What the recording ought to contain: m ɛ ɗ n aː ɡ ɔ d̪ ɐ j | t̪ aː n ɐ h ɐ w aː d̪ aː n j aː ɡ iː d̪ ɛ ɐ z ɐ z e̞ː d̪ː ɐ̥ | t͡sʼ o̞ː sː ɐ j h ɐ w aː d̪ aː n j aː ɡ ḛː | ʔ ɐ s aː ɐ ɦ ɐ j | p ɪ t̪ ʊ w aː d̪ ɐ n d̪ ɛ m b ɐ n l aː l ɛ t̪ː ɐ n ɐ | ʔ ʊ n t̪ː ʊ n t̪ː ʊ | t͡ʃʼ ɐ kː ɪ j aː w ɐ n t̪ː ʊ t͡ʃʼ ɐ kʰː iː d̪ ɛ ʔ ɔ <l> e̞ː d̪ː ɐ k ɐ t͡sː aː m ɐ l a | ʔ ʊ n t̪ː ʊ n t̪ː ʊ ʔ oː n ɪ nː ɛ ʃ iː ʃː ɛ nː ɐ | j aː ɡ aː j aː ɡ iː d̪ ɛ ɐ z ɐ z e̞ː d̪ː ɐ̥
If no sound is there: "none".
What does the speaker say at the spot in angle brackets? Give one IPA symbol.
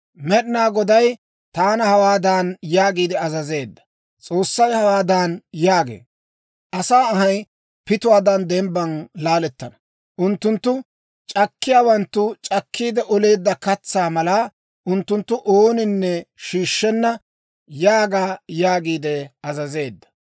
l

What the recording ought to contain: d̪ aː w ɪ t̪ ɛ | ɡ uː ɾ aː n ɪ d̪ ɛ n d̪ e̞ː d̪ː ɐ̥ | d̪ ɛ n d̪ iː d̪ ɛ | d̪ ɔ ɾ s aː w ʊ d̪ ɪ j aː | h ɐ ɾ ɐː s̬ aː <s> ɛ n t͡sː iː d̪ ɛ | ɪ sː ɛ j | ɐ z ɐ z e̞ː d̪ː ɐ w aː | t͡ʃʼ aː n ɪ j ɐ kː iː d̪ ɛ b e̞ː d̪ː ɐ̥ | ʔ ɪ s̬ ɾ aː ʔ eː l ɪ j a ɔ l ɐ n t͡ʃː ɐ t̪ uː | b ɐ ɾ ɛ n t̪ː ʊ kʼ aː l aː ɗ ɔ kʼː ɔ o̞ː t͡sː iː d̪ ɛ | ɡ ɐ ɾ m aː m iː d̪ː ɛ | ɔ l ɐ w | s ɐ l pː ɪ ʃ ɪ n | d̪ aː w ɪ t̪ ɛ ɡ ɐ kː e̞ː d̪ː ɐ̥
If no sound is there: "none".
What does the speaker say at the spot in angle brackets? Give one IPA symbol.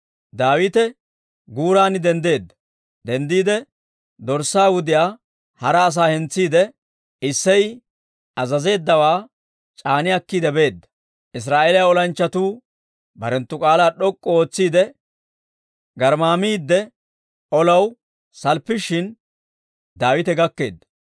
h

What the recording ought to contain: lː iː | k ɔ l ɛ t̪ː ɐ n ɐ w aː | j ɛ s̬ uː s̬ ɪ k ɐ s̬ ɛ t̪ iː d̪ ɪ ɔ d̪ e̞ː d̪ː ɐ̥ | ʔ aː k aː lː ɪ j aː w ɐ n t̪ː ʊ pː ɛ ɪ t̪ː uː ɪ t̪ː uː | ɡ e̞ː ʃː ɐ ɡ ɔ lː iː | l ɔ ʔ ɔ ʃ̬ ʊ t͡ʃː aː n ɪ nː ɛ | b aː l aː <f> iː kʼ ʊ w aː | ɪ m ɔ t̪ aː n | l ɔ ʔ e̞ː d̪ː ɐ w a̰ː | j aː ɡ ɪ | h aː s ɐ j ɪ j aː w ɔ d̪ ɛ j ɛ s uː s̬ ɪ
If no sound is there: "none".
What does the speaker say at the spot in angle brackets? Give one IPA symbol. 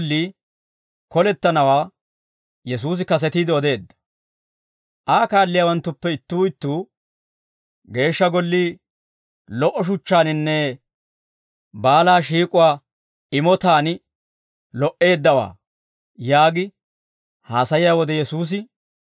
ʃ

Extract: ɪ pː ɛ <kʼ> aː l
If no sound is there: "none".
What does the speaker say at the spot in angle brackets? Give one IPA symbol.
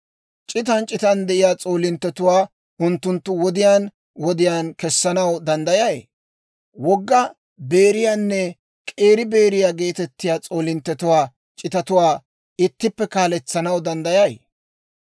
k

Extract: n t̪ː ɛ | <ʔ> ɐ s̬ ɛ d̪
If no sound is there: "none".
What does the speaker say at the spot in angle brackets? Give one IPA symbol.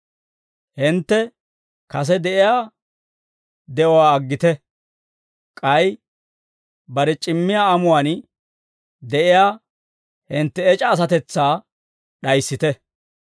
k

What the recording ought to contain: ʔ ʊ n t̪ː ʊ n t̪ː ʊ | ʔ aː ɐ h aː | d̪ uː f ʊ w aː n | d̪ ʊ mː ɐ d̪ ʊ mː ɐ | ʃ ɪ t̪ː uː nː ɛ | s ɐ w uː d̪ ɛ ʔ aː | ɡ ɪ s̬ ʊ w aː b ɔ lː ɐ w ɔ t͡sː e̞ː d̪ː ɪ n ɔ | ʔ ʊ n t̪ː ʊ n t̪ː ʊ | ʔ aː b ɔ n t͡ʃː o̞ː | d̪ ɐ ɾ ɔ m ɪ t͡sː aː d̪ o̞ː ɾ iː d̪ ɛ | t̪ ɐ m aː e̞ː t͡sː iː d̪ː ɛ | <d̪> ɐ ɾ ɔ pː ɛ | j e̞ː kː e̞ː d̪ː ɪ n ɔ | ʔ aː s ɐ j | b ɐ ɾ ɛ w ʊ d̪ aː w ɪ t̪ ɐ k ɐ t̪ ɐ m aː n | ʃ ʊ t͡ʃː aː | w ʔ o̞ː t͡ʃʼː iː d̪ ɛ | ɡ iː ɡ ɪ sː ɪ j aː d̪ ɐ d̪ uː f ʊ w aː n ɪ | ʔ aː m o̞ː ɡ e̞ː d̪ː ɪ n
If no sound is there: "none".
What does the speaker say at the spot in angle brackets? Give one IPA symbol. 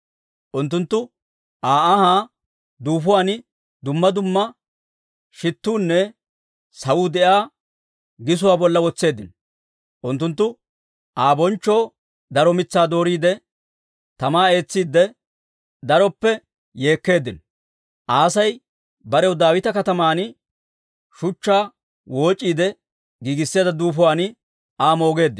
d̪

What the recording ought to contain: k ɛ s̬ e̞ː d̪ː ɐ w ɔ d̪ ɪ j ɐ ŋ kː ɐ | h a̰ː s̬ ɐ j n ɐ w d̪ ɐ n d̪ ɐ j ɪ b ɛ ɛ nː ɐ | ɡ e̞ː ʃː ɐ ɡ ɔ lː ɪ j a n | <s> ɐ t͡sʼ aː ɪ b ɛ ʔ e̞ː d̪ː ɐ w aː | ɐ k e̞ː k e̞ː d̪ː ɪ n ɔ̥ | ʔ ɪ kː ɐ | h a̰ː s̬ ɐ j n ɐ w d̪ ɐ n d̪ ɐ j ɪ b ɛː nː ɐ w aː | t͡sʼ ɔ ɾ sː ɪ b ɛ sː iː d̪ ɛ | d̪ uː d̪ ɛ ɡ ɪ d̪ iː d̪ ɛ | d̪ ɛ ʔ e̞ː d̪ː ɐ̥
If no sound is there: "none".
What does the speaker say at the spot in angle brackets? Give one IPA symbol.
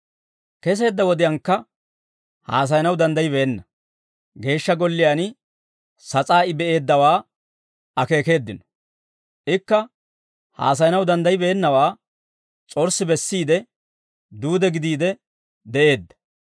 s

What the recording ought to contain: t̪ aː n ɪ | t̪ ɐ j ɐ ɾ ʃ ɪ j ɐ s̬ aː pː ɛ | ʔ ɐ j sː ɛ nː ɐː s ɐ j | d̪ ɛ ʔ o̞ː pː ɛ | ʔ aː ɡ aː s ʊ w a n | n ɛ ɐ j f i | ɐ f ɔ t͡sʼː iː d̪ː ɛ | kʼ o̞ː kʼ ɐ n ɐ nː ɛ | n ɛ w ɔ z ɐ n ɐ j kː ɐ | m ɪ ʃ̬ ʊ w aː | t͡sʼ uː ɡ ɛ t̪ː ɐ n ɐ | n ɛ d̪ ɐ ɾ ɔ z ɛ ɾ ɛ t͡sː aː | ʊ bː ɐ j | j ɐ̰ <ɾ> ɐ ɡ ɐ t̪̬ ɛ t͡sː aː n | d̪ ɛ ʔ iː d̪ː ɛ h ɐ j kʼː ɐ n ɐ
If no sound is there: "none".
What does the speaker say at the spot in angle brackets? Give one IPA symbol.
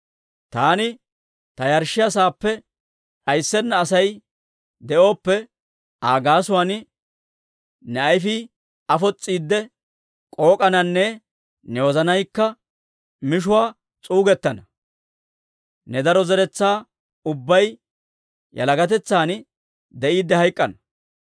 l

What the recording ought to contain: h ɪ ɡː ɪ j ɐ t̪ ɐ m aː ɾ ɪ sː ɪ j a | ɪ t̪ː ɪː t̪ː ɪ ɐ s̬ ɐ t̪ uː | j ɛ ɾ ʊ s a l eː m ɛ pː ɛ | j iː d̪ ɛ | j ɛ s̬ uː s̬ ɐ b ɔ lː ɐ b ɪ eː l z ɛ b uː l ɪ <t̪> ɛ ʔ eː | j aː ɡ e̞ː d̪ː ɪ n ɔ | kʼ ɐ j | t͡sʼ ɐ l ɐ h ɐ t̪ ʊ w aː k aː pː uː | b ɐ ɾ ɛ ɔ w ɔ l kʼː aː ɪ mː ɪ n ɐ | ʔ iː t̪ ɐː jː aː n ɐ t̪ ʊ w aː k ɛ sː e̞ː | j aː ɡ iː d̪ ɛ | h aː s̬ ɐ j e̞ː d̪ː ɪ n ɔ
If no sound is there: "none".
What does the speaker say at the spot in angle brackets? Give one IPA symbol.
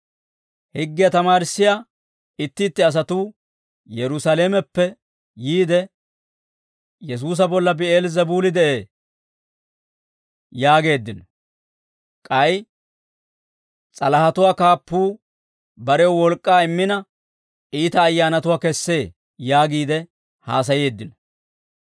d̪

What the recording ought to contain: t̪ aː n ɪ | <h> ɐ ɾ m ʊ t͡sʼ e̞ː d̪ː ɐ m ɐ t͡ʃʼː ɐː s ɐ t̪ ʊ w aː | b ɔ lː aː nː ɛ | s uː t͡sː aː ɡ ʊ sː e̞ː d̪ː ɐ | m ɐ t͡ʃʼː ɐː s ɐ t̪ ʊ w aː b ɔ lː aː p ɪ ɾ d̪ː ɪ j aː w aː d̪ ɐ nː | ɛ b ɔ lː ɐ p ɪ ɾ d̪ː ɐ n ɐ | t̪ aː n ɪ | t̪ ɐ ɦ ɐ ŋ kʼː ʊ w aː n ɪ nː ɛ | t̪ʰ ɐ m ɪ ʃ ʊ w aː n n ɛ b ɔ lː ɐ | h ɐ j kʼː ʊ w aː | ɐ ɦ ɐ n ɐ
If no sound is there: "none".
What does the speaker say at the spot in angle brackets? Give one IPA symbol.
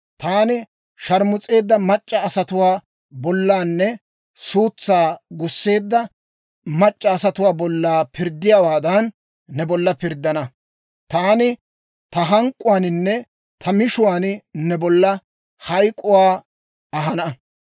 ʃ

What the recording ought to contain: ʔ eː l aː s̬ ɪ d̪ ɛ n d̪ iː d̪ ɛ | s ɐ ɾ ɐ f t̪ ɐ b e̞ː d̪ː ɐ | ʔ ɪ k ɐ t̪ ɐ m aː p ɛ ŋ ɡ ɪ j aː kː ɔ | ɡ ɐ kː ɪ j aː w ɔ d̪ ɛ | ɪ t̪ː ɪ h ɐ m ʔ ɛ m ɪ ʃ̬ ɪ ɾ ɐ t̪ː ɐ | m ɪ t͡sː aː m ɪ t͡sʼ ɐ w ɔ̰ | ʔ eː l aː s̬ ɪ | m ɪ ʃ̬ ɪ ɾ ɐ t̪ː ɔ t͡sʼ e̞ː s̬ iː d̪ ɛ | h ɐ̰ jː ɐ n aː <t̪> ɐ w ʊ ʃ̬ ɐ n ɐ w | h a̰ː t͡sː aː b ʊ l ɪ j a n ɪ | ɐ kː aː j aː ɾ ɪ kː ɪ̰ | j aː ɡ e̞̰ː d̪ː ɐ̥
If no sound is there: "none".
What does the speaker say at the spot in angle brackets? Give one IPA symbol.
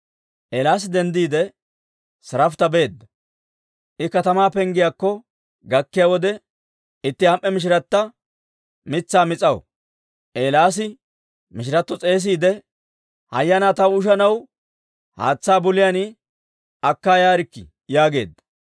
t̪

